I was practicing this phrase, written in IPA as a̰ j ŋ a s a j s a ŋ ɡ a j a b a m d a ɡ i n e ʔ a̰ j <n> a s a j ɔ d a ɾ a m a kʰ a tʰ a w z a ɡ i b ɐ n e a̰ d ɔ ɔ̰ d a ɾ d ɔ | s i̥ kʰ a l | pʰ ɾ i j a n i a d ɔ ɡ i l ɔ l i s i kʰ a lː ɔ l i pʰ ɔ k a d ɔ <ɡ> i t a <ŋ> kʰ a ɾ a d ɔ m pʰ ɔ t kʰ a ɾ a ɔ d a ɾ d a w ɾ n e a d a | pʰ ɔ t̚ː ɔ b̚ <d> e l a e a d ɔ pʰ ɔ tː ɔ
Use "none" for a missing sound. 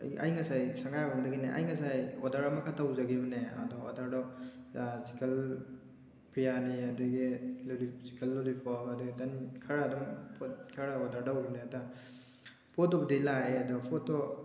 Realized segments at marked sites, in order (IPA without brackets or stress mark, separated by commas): ŋ, ɡ, n, d